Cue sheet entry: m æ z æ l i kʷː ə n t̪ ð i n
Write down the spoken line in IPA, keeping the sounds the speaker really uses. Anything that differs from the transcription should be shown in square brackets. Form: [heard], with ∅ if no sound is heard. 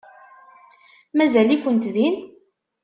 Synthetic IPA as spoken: m æ z æ l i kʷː ə n t̪ ð i n